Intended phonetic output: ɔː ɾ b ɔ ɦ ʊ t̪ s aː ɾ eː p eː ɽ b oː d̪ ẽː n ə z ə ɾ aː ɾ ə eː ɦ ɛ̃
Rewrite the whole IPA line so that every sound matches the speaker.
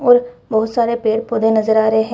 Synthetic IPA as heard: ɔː ɾ b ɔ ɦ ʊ t̪ s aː ɾ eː p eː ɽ p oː d̪ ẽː n ə z ə ɾ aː ɾ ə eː ɦ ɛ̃

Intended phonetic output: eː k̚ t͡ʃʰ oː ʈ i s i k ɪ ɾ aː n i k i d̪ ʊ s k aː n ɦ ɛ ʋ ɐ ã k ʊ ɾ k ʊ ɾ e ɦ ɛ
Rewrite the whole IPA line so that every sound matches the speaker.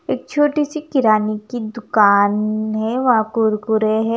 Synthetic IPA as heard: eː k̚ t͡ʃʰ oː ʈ i s i k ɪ ɾ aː n i k i d̪ ʊ k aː n ɦ ɛ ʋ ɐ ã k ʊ ɾ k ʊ ɾ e ɦ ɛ

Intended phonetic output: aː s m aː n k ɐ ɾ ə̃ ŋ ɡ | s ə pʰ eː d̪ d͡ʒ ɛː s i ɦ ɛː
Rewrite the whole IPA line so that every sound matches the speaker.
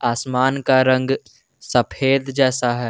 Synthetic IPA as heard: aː s m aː n k a ɾ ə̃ ŋ ɡ | s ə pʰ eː d̪ d͡ʒ ɛː s a ɦ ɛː

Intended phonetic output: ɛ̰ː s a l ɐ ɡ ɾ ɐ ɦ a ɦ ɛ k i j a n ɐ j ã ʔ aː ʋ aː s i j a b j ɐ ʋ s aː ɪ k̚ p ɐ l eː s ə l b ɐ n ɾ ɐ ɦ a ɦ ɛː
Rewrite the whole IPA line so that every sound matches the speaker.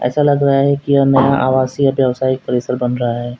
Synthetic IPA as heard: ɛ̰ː s a l ɐ ɡ ɾ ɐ ɦ a ɦ ɛ k i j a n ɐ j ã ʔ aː ʋ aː s i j a b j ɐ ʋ s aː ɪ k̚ p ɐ ɾ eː s ə ɾ b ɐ n ɾ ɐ ɦ a ɦ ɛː

